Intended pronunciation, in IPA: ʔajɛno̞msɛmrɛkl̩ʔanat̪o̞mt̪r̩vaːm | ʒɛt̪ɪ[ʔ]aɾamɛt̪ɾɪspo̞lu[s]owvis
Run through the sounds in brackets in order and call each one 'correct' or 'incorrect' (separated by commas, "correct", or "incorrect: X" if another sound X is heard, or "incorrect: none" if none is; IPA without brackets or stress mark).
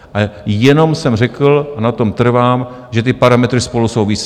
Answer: incorrect: p, correct